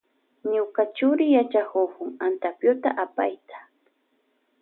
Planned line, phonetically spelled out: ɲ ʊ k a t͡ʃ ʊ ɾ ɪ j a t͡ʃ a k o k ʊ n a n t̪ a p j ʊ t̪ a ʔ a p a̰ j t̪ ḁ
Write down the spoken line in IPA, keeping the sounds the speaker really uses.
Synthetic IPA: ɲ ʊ k a t͡ʃ ʊ ɾ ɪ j a t͡ʃ a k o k ʊ ŋ a n t̪ a p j ʊ t̪ a ʔ a p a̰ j t̪ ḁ

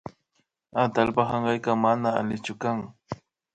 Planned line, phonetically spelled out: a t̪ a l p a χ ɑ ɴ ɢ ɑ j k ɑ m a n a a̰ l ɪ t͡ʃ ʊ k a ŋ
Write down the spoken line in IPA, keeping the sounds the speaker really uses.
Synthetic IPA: a t̪ a l p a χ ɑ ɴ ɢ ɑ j k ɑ m a n a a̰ l ɪ t͡ʃ ʊ k a ŋ

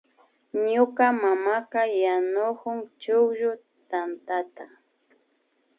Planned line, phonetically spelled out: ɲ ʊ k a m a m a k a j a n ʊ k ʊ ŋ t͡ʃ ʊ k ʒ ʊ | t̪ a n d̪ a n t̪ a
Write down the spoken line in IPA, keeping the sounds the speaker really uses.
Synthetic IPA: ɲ ʊ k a m a m a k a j a n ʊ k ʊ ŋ t͡ʃ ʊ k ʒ ʊ | t̪ a n t̪ a t̪ a

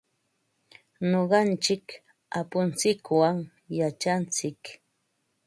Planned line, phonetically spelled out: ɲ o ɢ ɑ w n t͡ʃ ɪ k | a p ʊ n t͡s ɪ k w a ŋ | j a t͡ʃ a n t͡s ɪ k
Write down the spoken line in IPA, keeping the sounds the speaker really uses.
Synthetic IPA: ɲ o ɢ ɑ n t͡ʃ ɪ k | a p ʊ n t͡s ɪ k w a ŋ | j a t͡ʃ a n t͡s ɪ k

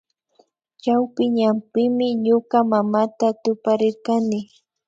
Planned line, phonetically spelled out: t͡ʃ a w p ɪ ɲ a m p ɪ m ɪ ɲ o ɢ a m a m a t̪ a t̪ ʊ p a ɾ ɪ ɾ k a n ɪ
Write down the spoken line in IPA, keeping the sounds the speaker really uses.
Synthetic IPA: t͡ʃ a w p ɪ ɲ a m p ɪ m ɪ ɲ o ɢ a m a m a t̪ a t̪ ʊ p a ɾ ɪ ɾ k a n ɪ

